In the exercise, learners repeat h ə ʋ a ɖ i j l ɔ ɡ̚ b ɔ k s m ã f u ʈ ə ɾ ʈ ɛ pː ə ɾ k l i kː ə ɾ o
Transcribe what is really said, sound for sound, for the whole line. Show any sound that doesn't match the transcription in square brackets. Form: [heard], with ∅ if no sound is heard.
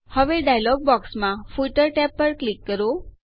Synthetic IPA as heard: h ə ʋ [e] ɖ [a] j l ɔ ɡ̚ b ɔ k s m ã f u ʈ ə ɾ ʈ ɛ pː ə ɾ k l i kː ə ɾ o